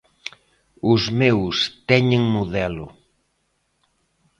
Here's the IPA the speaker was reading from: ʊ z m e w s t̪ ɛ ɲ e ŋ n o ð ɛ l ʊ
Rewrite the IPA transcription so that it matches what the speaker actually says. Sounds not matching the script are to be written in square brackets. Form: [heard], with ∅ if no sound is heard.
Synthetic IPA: ʊ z m e w s t̪ ɛ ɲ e ŋ [m] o ð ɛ l ʊ

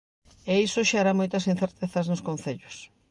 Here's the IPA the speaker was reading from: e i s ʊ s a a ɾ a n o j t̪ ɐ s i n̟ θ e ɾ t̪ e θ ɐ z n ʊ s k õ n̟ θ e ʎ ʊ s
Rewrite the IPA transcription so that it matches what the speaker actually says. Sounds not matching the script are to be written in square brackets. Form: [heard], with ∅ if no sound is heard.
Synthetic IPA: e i s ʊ [ʃ] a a ɾ a [m] o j t̪ ɐ s i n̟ θ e ɾ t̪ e θ ɐ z n ʊ s k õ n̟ θ e ʎ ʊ s

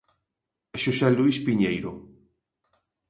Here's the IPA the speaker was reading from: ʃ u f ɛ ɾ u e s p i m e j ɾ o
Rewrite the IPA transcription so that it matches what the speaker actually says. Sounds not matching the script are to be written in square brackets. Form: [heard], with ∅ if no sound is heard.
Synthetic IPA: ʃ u [s] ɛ [l] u [i] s p i [ɲ] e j ɾ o

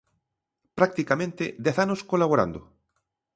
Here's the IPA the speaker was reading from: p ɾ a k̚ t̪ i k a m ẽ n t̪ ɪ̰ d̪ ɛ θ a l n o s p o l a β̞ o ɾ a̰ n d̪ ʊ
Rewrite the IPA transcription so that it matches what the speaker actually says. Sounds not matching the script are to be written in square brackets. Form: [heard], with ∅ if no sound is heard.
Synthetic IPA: p ɾ a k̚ t̪ i k a m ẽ n t̪ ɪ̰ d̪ ɛ θ a [∅] n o s [k] o l a β̞ o ɾ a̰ n d̪ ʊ

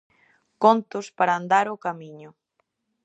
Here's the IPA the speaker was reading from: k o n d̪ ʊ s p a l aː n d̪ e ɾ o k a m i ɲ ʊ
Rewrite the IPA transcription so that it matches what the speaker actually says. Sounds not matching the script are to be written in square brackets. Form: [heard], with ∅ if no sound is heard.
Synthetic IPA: k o n [t̪] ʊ s p a [ɾ] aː n d̪ [a] ɾ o k a m i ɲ ʊ

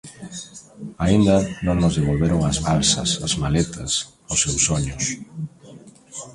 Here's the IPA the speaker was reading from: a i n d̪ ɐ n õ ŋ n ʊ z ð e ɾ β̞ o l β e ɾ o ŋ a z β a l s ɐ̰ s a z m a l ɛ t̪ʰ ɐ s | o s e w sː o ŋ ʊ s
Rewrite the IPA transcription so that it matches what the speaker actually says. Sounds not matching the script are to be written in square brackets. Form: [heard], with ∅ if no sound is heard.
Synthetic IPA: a i n d̪ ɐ n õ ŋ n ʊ z ð e [∅] β̞ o l β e ɾ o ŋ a z β a l s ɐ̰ s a z m a l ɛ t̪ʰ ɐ s | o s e w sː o [ɲ] ʊ s

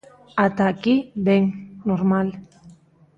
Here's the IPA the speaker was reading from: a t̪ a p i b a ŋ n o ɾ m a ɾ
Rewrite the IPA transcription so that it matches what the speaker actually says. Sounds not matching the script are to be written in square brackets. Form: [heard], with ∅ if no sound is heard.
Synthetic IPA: a t̪ a [k] i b [e] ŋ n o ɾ m a [l]

